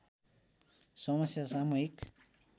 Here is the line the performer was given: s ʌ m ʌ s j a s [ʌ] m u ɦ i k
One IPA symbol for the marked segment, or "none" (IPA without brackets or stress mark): a